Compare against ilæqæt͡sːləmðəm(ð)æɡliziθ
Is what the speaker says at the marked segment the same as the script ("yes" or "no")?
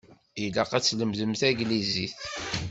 no